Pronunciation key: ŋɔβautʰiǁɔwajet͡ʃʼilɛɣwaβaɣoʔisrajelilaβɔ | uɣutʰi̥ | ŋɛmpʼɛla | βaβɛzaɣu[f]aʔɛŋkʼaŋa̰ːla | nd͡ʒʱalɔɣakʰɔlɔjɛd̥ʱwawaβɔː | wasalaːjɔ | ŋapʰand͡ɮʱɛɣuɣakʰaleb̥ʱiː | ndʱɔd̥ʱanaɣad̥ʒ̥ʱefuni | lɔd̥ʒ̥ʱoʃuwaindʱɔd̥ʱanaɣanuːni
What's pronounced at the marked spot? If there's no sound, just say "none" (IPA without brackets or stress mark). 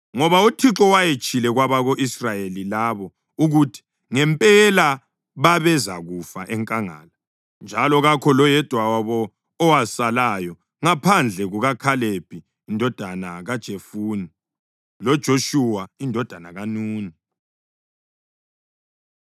f